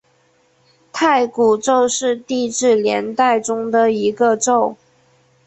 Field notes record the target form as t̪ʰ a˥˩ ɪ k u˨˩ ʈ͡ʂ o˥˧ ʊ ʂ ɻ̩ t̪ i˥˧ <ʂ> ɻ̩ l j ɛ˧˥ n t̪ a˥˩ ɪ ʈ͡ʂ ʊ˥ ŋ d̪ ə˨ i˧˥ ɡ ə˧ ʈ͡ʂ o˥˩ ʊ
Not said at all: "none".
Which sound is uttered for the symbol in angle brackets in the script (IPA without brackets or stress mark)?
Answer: ʈ͡ʂ